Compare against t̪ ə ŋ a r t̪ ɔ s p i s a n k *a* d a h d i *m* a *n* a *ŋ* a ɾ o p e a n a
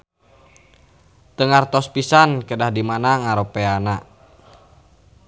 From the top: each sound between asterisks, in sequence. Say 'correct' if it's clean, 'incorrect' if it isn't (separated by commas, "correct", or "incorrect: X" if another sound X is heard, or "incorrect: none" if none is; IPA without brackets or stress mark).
incorrect: ə, correct, correct, correct